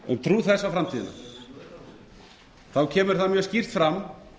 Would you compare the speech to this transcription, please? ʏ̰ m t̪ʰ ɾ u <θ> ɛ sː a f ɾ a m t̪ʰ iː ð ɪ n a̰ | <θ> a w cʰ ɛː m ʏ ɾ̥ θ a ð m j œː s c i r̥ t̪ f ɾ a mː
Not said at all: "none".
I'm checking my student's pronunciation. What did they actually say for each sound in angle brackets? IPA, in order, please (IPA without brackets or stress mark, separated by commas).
θ, θ